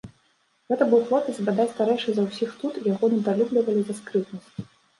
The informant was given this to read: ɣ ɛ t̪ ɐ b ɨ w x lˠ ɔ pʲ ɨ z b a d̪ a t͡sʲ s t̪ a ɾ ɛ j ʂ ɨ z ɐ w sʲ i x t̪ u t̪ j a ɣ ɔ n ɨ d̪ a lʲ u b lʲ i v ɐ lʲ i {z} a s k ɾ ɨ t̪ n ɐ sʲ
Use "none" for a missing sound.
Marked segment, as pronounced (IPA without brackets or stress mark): z